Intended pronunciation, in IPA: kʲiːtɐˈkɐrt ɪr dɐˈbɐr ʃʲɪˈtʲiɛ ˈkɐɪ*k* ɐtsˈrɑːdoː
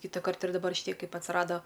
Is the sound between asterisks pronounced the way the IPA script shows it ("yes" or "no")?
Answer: no